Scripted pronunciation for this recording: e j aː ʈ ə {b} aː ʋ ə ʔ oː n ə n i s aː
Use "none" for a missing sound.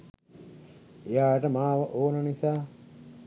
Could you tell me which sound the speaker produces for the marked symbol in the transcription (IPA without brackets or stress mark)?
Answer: m